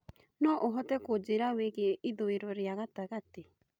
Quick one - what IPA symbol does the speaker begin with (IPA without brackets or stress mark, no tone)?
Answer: n